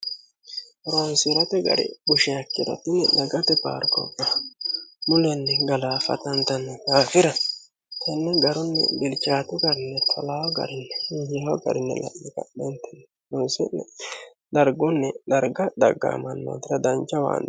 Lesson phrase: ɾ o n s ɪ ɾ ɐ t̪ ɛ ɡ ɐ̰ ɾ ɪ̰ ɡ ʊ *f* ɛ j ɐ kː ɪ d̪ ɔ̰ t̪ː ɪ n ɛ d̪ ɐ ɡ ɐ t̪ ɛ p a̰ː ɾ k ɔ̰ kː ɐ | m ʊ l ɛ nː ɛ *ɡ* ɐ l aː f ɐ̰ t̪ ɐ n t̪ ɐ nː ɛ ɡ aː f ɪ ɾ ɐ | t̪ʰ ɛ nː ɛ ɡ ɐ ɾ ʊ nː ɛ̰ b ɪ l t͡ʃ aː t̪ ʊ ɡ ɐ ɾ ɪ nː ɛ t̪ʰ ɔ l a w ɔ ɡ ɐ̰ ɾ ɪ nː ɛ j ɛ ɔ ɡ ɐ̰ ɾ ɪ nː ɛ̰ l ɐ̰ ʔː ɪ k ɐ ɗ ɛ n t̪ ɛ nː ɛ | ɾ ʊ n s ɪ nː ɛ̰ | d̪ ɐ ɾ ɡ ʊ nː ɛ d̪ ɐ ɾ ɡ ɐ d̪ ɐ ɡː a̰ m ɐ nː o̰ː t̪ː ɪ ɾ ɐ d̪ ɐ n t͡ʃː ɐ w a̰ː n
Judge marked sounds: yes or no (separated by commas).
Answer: no, yes